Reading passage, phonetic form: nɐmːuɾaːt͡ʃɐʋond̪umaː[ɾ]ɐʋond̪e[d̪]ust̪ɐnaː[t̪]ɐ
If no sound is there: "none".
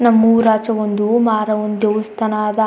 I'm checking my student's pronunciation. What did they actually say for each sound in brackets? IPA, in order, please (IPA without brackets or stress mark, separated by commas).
ɾ, none, d̪